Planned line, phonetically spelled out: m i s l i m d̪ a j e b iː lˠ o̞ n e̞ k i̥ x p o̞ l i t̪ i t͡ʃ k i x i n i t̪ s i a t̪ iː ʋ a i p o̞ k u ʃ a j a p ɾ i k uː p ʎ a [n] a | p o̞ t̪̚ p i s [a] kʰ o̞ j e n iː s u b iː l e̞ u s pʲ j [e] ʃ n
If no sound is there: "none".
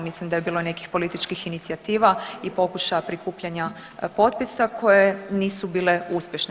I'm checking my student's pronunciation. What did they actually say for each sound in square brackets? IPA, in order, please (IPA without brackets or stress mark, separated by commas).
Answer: ɲ, a, e